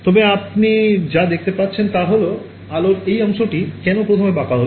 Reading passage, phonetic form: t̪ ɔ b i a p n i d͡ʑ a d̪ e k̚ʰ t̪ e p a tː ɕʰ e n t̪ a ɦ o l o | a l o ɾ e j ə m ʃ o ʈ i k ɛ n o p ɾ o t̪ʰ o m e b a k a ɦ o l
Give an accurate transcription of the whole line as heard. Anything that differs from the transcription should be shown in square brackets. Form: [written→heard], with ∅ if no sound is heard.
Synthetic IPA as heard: t̪ ɔ b [i→e] a p n i d͡ʑ a d̪ e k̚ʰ t̪ e p a tː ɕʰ e n t̪ a ɦ o l o | a l o ɾ e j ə m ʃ o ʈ i k ɛ n o p ɾ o t̪ʰ o m e b a k a ɦ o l